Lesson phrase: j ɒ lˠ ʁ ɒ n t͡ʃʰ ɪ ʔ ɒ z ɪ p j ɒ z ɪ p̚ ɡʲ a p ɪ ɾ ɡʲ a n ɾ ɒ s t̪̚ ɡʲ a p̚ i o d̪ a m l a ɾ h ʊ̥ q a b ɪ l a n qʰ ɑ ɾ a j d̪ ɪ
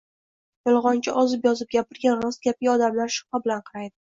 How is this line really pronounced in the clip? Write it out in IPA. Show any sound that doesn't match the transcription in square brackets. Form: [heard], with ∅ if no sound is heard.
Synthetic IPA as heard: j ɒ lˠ ʁ ɒ n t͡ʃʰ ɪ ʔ ɒ z ɪ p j ɒ z ɪ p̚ ɡʲ a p ɪ ɾ ɡʲ a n ɾ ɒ s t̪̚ ɡʲ a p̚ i [ɒ] d̪ a m l a ɾ [ʃ] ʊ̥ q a b ɪ l a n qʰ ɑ ɾ a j d̪ ɪ